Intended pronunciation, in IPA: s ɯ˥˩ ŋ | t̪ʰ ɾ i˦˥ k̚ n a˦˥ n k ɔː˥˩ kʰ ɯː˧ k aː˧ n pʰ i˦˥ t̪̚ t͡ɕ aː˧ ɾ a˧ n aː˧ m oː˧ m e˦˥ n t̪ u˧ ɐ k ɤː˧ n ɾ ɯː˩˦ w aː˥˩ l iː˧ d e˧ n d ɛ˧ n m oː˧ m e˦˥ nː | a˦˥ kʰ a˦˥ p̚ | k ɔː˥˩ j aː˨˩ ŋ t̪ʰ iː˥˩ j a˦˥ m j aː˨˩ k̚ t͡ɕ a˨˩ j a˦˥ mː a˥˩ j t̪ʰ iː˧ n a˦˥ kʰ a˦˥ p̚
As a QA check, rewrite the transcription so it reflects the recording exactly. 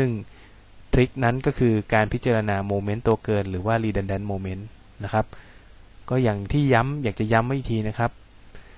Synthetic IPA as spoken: s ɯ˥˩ ŋ | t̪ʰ ɾ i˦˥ k̚ n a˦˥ n k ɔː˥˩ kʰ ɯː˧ k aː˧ n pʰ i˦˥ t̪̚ t͡ɕ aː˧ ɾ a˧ n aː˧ m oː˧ m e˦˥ n t̪ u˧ ɐ k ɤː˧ n ɾ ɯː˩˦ w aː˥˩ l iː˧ d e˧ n d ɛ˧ n m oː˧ m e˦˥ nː | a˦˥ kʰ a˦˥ p̚ | k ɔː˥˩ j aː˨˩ ŋ t̪ʰ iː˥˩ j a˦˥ m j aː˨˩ k̚ t͡ɕ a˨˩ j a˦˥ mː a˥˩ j t̪ʰ iː˧ n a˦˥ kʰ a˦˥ p̚

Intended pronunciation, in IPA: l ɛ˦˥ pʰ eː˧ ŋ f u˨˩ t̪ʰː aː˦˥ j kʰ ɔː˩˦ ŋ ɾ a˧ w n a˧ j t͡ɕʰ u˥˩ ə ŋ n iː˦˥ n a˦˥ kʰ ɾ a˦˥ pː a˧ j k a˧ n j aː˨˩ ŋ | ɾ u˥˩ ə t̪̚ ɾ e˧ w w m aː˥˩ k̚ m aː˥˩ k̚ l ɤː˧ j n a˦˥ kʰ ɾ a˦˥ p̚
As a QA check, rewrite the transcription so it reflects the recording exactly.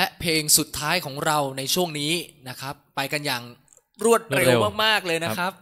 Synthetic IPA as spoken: l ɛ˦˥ pʰ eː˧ ŋ s u˨˩ t̪ʰː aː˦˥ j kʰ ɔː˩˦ ŋ ɾ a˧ w n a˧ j t͡ɕʰ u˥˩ ə ŋ n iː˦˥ n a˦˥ kʰ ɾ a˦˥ pː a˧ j k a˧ n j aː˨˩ ŋ | ɾ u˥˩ ə t̪̚ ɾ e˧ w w m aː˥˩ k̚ m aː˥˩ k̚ l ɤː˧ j n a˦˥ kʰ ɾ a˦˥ p̚

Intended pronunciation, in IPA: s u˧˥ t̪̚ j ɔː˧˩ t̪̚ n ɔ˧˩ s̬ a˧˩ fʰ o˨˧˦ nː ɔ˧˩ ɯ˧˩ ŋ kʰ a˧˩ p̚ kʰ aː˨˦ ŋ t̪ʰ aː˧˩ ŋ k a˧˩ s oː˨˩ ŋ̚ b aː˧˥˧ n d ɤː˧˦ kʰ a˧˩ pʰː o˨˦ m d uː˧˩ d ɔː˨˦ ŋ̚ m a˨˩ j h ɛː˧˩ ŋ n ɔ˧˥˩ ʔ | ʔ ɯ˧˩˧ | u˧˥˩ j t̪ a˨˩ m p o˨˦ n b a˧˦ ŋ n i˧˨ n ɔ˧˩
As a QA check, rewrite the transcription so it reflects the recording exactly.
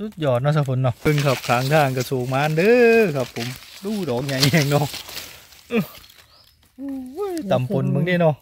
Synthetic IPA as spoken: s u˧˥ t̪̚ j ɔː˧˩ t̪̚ n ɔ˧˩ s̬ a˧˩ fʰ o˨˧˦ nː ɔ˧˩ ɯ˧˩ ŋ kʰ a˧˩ p̚ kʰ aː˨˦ ŋ t̪ʰ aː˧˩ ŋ k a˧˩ s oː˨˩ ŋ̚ m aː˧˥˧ n d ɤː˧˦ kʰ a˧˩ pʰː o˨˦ m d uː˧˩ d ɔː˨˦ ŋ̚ ɲ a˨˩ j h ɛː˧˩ ŋ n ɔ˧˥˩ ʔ | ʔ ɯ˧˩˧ | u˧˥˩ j t̪ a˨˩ m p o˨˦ n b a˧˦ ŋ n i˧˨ n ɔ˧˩

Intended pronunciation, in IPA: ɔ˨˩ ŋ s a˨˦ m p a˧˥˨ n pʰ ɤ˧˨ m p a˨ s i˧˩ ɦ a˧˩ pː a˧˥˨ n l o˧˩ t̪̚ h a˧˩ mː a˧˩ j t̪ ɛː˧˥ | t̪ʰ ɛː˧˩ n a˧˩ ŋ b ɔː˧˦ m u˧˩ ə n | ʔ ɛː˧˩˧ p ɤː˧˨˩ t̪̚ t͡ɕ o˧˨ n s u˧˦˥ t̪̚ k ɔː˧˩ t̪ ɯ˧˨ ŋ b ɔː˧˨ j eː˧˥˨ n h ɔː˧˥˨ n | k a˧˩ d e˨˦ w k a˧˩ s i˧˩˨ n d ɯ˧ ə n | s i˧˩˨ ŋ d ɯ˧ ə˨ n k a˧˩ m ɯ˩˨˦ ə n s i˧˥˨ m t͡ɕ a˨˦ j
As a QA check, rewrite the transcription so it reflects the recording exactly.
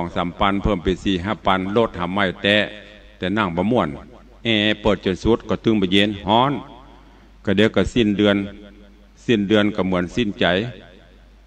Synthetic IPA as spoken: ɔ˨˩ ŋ s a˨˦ m p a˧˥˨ n pʰ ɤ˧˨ m p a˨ s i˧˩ ɦ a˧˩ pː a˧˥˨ n l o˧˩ t̪̚ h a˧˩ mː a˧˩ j t̪ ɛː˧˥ | t̪ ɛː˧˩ n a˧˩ ŋ b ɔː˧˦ m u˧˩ ə n | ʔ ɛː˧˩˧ p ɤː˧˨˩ t̪̚ t͡ɕ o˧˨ n s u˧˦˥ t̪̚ k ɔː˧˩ t̪ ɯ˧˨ ŋ b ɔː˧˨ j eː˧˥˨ n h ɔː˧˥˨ n | k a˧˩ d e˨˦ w k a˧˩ s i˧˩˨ n d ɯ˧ ə n | s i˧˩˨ n d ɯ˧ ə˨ n k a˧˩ m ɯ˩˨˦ ə n s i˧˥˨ n t͡ɕ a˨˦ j

